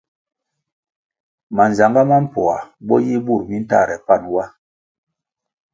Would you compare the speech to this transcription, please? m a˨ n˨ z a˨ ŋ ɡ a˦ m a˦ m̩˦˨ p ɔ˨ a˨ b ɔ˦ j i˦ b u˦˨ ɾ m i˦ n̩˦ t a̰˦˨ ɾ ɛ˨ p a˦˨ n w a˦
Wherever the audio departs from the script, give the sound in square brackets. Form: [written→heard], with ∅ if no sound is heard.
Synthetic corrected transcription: m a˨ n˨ z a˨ ŋ ɡ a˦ m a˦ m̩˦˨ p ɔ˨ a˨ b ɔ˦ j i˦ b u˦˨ ɾ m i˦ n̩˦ t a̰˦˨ ɾ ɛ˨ p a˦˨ n w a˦

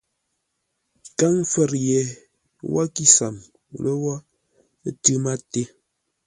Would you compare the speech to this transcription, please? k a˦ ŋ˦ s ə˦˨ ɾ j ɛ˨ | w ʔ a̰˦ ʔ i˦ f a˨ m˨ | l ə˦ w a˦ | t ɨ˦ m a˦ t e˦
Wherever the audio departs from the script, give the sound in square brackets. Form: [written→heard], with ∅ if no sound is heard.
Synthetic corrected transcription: k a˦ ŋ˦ [s→f] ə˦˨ ɾ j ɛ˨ | w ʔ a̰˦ [ʔ→k] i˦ [f→s] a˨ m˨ | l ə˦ w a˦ | t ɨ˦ m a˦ t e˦

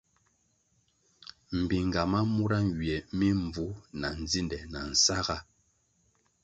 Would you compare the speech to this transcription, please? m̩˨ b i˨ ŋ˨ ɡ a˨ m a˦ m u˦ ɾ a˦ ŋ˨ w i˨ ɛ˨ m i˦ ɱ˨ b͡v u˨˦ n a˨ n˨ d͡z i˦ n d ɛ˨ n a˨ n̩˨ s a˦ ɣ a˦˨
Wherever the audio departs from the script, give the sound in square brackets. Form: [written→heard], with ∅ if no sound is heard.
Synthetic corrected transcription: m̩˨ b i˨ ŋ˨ ɡ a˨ m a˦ m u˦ ɾ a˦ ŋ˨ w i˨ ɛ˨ m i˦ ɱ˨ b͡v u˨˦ n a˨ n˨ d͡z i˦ n d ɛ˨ n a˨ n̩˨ s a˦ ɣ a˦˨

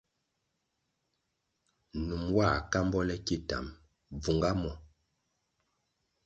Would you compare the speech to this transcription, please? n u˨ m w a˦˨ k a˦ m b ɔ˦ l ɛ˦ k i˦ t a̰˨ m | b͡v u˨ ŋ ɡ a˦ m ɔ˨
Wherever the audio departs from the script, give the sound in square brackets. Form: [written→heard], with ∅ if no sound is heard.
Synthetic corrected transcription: n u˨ m w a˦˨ k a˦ m b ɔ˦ l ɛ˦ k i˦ t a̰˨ m | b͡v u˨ ŋ ɡ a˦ m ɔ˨

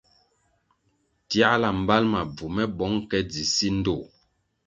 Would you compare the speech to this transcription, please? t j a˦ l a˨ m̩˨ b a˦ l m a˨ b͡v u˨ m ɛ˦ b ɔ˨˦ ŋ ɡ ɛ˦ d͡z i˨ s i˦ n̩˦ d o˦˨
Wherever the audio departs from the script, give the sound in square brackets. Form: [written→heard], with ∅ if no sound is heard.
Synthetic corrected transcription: t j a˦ l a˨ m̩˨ b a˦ l m a˨ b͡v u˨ m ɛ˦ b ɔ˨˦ ŋ [ɡ→k] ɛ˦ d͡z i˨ s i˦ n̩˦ d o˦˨

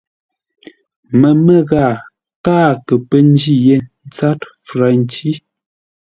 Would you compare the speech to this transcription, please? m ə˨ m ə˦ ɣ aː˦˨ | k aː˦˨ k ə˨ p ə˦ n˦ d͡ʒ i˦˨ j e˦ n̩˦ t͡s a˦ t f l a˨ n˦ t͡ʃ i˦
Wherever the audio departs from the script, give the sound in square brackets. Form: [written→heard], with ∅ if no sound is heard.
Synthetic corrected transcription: m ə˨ m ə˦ ɣ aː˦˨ | k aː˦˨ k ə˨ p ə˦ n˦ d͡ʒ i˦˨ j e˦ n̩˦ t͡s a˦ t f [l→ɾ] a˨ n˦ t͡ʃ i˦

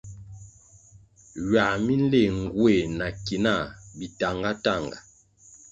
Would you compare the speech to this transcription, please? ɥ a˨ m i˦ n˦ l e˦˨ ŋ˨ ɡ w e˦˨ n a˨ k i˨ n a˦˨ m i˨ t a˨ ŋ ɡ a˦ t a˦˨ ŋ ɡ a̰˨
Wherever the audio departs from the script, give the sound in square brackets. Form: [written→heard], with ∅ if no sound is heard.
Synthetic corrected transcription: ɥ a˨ m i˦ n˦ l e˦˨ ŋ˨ ɡ w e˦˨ n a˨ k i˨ n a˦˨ [m→b] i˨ t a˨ ŋ ɡ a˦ t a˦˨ ŋ ɡ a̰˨

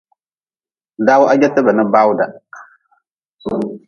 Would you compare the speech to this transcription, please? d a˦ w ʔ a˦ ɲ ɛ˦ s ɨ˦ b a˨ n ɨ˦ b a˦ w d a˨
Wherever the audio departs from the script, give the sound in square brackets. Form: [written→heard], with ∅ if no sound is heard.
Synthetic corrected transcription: d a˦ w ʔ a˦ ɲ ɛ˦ [s→t] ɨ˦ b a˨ n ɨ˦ b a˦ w d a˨

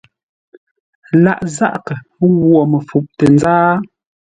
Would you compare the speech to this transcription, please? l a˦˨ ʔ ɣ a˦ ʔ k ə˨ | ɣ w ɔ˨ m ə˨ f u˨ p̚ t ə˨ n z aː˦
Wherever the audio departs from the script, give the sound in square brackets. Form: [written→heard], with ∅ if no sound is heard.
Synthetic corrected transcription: l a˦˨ ʔ [ɣ→z] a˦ ʔ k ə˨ | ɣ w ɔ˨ m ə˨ f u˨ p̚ t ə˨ n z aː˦

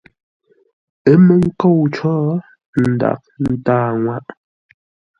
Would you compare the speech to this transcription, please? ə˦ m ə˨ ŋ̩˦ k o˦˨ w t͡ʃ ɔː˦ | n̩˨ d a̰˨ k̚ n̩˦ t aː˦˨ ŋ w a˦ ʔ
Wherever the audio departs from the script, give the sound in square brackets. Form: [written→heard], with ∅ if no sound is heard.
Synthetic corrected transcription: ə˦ m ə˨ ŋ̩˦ k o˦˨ w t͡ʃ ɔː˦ | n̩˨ d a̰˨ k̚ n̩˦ t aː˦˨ ŋ w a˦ ʔ

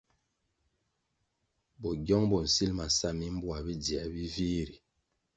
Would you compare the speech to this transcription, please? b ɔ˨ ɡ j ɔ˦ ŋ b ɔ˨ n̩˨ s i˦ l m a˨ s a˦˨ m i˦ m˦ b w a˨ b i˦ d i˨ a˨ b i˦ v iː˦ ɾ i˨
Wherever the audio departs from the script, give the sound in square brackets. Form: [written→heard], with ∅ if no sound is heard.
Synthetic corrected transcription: b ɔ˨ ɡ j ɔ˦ ŋ b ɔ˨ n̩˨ s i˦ l m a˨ s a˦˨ m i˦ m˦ b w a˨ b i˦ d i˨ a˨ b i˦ v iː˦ ɾ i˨

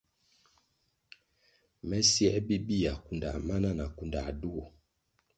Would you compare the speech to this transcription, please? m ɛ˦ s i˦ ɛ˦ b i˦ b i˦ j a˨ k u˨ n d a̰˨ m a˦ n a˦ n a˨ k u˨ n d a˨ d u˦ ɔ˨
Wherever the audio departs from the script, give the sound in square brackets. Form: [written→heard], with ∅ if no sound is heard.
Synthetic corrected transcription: m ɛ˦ s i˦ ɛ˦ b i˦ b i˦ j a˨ k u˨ n d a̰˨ m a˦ n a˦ n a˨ k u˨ n d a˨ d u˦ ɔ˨

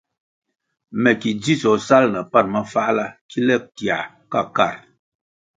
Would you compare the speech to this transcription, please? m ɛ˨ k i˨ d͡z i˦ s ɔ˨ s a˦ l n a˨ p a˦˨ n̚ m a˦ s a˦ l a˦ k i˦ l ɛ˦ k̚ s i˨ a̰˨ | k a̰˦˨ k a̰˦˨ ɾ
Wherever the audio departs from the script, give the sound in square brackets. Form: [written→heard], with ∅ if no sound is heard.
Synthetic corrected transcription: m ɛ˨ k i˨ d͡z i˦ s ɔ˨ s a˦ l n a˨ p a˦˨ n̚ m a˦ [s→f] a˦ l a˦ k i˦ l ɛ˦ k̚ [s→t] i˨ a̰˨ | k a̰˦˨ k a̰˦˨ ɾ

